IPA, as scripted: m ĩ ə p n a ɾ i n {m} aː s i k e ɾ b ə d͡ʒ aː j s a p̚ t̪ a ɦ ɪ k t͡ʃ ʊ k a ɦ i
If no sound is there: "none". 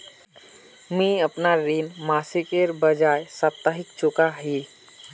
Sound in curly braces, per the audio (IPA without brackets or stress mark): m